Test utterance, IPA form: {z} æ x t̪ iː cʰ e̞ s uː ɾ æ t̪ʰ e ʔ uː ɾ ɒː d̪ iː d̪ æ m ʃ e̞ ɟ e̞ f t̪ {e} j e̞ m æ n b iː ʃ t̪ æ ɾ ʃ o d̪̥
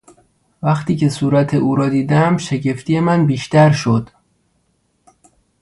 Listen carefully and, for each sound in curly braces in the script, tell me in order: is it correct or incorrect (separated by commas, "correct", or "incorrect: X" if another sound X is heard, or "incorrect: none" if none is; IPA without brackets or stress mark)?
incorrect: v, incorrect: i